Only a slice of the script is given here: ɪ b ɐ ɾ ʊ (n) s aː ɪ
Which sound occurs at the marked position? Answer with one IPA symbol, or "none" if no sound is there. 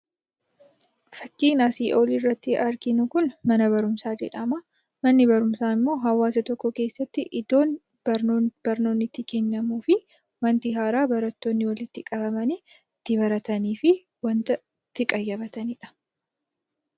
m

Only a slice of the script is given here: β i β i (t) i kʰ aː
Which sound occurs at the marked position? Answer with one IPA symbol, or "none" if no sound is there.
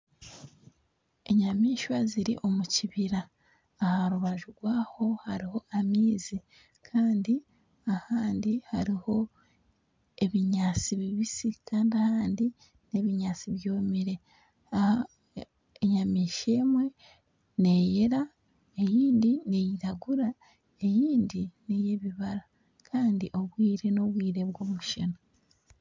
s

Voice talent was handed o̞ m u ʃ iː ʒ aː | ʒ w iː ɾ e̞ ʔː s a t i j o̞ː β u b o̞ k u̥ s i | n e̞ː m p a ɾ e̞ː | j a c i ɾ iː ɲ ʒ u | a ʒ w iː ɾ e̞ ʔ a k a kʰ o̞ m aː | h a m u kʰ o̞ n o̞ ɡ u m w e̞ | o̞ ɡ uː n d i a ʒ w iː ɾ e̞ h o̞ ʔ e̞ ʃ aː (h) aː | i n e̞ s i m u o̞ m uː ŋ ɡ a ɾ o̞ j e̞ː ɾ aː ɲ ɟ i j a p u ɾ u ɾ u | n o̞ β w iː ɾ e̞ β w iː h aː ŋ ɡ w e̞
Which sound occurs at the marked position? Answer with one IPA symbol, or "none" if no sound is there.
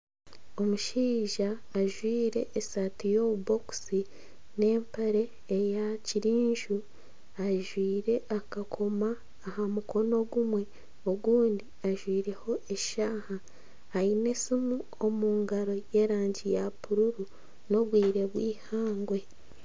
h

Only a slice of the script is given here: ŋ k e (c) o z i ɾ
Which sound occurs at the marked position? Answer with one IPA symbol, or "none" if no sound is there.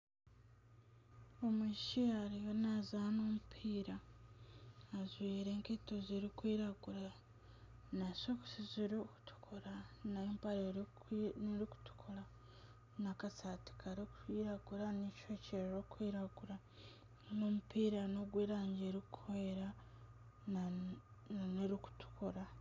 t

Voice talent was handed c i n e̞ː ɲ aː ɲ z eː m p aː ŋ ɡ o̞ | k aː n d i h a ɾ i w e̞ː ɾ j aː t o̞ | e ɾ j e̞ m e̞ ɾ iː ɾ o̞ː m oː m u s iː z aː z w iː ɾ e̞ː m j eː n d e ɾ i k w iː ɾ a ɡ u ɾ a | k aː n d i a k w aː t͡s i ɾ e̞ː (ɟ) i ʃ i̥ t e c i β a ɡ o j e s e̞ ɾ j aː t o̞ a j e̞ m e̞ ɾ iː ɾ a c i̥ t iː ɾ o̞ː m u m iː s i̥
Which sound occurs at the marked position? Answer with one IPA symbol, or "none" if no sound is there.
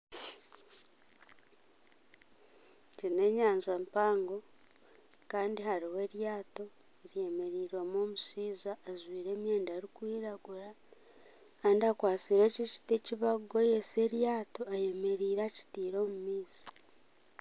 c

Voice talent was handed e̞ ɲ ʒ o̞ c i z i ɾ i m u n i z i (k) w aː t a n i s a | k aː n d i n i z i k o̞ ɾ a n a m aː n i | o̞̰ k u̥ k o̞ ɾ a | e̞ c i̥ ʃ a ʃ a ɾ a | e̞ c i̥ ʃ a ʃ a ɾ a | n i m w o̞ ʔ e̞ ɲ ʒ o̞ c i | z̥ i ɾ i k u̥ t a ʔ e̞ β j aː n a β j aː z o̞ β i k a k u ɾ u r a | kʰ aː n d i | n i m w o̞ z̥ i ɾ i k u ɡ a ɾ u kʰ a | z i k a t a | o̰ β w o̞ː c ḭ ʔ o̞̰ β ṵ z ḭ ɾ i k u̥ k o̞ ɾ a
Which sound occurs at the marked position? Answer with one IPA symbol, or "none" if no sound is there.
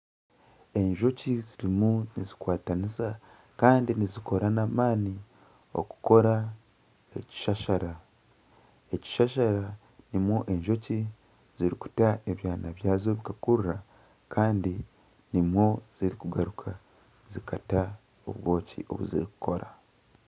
k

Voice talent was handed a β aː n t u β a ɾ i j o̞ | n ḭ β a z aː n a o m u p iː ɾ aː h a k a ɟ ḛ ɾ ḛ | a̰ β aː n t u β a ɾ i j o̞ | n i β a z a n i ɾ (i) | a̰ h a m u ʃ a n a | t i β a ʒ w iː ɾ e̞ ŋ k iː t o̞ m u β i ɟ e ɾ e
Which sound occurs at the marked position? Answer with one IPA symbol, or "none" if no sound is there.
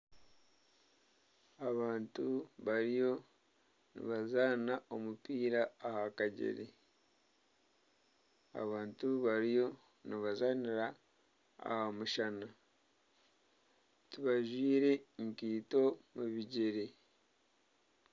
a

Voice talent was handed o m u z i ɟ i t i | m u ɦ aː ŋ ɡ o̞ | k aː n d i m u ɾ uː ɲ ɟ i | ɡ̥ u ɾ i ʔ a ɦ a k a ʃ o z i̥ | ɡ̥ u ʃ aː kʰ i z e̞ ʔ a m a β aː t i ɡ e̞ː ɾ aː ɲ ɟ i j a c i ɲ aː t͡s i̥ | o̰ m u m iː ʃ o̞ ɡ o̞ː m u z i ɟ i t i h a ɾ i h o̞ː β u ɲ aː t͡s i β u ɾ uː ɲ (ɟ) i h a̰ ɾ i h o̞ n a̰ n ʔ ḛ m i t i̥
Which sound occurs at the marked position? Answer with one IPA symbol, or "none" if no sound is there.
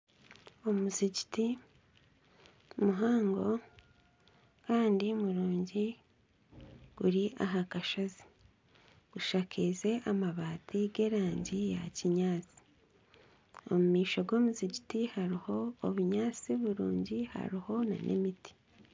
ɟ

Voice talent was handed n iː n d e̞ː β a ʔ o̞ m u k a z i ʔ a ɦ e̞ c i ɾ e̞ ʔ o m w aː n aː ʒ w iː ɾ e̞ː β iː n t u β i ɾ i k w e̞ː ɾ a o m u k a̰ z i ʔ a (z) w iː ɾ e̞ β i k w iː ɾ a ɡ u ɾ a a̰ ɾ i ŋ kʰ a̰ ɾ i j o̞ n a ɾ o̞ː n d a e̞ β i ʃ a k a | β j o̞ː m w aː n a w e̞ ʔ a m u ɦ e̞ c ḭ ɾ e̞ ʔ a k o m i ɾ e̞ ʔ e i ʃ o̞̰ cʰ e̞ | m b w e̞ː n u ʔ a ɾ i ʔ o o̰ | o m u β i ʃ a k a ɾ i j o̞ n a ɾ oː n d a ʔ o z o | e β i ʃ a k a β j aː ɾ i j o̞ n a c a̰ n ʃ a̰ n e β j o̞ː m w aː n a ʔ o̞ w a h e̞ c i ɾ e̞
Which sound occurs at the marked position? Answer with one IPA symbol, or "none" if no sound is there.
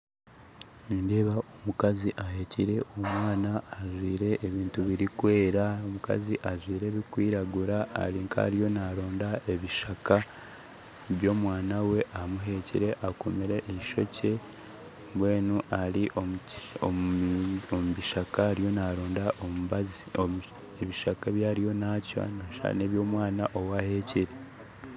ʒ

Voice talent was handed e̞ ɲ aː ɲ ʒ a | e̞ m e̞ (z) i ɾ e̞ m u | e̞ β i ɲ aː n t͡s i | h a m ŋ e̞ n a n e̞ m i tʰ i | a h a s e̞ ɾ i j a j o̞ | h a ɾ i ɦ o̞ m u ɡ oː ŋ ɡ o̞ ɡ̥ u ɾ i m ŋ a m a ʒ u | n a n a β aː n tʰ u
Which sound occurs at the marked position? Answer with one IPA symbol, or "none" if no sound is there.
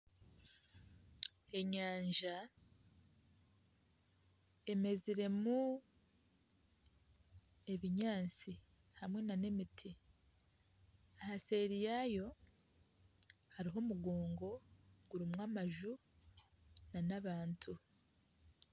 z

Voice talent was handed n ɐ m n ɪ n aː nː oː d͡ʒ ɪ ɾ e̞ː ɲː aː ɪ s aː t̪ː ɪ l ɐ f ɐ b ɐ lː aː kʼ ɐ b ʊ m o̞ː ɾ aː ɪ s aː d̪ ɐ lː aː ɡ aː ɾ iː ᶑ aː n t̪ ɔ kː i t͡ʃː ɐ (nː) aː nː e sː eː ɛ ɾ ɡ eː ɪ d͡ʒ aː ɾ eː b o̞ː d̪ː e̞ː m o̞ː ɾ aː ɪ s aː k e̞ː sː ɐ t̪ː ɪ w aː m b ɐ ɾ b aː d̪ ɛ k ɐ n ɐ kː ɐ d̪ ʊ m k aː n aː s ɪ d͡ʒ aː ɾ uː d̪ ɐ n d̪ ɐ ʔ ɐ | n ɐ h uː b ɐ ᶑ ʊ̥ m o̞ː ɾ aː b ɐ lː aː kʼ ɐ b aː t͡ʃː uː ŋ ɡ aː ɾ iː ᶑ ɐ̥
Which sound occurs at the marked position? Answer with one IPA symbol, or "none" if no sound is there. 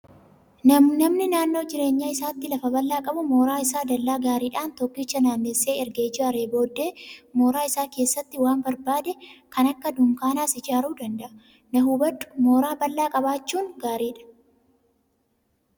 n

